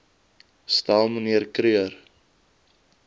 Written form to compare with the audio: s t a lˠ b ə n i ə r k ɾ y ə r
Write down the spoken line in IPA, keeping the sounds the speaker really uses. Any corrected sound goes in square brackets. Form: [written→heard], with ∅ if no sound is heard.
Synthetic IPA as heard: s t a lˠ [b→m] ə n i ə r k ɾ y ə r